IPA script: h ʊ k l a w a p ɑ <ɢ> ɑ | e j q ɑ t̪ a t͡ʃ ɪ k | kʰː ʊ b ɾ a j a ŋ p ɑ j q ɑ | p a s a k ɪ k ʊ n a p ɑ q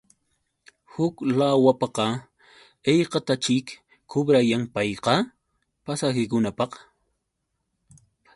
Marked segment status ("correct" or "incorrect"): incorrect